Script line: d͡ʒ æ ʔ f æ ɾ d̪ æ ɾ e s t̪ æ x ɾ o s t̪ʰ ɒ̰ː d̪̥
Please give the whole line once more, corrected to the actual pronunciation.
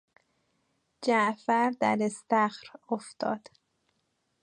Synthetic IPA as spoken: d͡ʒ æ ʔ f æ ɾ d̪ æ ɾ e s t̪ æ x ɾ o f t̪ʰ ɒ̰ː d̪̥